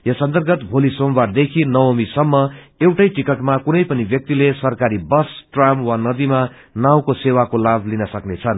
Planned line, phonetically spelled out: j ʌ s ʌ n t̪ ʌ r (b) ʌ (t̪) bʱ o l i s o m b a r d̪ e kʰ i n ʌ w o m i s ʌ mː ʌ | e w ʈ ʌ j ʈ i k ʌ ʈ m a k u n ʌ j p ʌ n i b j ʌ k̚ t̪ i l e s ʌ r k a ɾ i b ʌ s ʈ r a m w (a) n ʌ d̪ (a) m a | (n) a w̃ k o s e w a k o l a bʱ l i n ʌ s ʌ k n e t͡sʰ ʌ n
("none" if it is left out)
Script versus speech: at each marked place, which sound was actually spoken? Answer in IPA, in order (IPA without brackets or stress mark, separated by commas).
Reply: ɡ, t̪, a, i, n